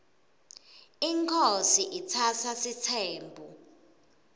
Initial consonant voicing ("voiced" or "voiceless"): voiced